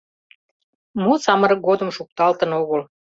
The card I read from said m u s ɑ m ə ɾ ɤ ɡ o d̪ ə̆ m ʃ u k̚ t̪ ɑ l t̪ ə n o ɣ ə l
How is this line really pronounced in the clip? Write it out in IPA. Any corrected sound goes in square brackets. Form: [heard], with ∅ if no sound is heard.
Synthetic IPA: m u s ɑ m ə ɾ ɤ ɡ o d̪ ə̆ m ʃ u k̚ t̪ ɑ l t̪ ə n o ɣ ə l